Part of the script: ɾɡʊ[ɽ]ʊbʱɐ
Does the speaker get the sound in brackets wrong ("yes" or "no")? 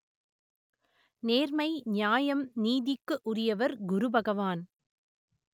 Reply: yes